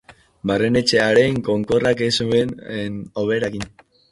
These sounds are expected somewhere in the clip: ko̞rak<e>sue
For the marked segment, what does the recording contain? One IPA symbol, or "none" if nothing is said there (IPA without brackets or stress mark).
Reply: e